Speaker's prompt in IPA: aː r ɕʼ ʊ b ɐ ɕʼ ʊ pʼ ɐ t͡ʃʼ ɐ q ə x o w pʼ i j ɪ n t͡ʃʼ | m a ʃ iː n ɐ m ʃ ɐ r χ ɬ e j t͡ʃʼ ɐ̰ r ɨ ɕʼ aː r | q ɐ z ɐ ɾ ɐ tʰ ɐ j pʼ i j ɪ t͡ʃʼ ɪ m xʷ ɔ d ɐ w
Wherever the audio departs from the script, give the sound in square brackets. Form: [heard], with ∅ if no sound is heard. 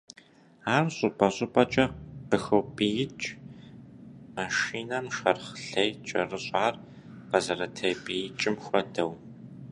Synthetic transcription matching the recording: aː r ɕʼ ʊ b ɐ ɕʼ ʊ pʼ ɐ t͡ʃʼ ɐ q ə x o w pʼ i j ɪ [∅] t͡ʃʼ | m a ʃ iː n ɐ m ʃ ɐ r χ ɬ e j t͡ʃʼ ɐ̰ r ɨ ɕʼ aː r | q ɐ z ɐ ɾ ɐ tʰ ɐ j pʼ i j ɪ t͡ʃʼ ɪ m xʷ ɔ d ɐ w